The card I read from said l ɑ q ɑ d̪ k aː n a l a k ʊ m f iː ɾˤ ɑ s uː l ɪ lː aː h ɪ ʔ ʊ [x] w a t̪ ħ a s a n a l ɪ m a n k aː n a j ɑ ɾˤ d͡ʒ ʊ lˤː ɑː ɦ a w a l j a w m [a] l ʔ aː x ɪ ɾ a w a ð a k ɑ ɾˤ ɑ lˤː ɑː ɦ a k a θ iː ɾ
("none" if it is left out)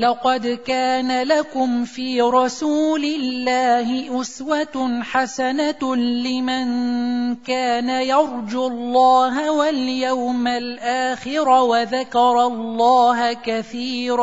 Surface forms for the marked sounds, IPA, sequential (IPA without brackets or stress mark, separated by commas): s, a